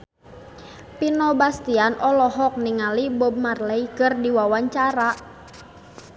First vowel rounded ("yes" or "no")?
no